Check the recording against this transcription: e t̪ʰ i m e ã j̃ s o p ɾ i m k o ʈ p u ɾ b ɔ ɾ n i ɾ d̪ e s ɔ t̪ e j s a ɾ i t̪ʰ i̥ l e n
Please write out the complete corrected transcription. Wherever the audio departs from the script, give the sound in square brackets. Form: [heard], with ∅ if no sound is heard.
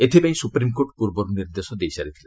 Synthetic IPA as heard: e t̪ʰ i [b] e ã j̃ s [u] p ɾ i m k o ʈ p u ɾ b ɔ ɾ n i ɾ d̪ e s ɔ [d̪] e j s a ɾ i t̪ʰ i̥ l e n